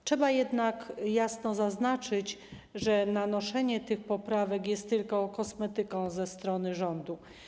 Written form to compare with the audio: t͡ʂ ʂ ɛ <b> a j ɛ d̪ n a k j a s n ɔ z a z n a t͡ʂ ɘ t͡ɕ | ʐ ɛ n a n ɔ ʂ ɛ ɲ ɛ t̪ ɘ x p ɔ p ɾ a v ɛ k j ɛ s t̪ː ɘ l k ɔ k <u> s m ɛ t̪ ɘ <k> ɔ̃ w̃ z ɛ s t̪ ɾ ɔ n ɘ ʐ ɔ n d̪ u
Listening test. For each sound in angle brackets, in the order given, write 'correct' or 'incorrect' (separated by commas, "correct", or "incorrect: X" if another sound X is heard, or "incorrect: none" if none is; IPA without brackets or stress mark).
correct, incorrect: ɔ, correct